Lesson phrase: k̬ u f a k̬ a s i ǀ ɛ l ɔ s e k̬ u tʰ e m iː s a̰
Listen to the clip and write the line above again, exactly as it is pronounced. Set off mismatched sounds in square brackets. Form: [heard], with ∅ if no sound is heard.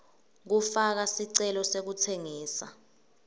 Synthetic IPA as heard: k̬ u f a k̬ a s i ǀ ɛ l ɔ s e k̬ u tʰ e [ŋ] iː s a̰